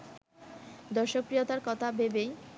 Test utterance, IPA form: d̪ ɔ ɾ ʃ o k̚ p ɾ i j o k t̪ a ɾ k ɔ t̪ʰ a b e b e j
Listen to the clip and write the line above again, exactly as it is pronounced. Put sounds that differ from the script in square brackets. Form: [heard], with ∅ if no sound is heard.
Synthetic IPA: d̪ ɔ ɾ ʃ o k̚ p ɾ i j o [∅] t̪ a ɾ k ɔ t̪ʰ a b e b e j

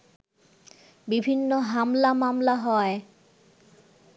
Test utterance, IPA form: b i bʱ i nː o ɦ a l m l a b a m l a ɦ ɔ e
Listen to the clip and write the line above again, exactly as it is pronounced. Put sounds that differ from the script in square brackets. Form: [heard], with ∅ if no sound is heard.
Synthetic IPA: b i bʱ i nː o ɦ a [∅] m l a [m] a m l a ɦ ɔ e

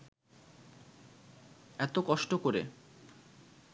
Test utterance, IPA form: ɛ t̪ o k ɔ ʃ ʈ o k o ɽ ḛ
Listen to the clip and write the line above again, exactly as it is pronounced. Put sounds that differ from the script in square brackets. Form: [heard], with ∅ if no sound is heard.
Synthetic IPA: ɛ t̪ o k ɔ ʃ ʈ o k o [ɾ] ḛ

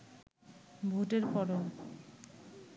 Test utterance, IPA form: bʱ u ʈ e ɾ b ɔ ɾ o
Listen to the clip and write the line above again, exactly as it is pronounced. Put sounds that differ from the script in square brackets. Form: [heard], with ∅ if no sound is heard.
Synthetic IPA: bʱ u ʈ e ɾ [p] ɔ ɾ o

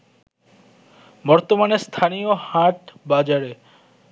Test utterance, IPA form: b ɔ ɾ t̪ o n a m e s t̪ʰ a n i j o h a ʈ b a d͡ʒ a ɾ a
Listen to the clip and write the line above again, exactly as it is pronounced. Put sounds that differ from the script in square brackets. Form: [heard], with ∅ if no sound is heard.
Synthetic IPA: b ɔ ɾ t̪ o [m] a [n] e s t̪ʰ a n i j o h a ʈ b a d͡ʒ a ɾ [e]

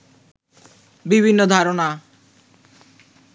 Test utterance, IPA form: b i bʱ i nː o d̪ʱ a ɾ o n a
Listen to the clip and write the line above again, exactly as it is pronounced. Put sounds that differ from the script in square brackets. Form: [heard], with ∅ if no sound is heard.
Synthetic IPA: b i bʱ i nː o d̪ʱ a ɾ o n a

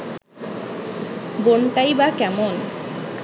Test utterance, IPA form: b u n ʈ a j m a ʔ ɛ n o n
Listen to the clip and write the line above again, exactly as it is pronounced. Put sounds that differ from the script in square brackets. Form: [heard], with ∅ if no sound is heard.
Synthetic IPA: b [o] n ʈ a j [b] a [k] ɛ [m] o n

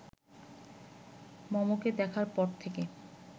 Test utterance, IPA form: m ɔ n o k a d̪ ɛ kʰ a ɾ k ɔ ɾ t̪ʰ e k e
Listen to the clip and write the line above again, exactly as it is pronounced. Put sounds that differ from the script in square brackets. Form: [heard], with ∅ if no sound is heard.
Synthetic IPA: m ɔ [m] o k [e] d̪ ɛ kʰ a ɾ [p] ɔ ɾ t̪ʰ e k e

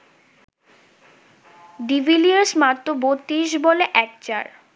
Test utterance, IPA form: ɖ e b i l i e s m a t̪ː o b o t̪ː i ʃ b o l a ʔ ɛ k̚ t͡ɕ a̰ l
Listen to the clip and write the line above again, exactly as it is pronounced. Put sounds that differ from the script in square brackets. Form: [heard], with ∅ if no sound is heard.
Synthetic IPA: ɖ [i] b i l i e s m a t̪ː o b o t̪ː i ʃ b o l [e] ʔ ɛ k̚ t͡ɕ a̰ [ɾ]

